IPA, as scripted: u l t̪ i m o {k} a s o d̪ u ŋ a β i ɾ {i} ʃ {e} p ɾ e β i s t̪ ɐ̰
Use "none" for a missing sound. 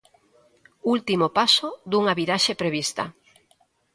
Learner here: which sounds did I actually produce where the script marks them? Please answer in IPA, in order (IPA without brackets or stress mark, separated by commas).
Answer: p, a, e